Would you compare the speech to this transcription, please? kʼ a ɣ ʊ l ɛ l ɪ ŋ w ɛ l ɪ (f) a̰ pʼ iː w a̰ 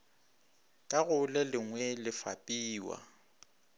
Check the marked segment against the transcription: correct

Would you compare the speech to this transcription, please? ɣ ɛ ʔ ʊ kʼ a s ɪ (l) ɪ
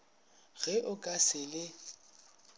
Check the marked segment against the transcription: correct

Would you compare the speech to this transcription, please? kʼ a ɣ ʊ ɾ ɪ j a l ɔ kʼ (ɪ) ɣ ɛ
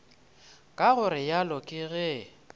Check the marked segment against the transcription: correct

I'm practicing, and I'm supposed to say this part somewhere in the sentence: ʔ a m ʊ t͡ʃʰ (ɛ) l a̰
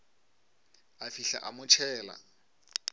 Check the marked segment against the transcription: incorrect: ɛː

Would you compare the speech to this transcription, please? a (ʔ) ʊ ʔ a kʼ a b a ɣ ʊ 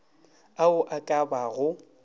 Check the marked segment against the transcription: incorrect: none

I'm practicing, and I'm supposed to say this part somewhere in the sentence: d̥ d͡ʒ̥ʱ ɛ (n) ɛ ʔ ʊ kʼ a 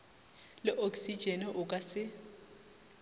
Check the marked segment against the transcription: correct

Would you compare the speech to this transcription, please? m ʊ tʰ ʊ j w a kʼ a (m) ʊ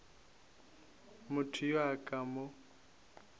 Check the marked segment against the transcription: correct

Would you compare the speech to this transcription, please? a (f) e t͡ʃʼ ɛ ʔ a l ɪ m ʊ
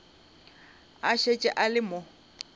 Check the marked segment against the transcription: incorrect: ʃ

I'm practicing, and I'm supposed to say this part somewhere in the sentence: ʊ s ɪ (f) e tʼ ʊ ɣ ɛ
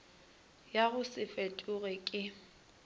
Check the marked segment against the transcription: correct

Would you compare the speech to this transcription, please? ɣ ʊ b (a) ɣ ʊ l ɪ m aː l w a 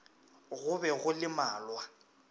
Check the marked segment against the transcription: incorrect: ɛ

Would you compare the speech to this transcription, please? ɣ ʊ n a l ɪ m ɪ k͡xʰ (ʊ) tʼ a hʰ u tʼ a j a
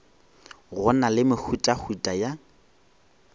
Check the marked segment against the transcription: incorrect: u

